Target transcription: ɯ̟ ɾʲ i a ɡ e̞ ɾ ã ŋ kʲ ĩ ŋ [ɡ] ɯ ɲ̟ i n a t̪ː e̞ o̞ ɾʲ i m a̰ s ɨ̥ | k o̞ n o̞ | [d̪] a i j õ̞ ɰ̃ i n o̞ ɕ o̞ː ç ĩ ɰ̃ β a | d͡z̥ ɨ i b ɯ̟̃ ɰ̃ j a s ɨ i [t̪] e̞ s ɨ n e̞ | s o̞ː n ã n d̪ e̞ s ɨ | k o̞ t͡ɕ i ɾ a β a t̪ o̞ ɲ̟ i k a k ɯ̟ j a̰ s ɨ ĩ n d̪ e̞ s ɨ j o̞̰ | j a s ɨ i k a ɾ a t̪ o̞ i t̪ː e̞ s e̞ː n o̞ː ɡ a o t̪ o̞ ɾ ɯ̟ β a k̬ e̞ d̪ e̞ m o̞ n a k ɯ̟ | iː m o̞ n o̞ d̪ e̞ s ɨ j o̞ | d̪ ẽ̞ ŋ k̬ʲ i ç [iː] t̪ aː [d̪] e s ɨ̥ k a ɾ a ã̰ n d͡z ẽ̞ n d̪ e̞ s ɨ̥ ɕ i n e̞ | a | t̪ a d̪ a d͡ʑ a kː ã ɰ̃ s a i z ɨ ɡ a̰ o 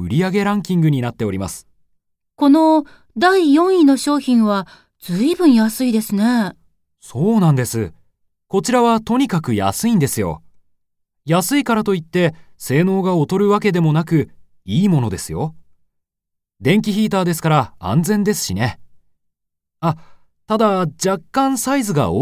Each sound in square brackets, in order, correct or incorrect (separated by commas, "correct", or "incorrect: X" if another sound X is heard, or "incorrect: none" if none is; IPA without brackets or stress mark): correct, correct, incorrect: d̪, correct, correct